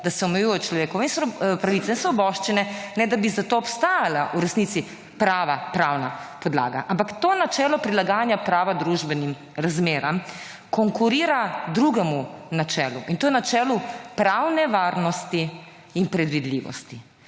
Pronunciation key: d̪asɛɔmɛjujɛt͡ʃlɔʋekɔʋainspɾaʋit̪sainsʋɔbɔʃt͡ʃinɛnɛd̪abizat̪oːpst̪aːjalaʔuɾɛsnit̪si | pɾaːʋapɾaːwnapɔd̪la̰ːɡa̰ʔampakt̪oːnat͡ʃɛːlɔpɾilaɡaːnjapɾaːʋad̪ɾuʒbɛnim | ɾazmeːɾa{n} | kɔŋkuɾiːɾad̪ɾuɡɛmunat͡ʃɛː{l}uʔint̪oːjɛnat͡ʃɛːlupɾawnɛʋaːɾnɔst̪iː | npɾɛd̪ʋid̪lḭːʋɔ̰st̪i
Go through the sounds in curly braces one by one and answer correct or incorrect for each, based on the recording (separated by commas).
incorrect, correct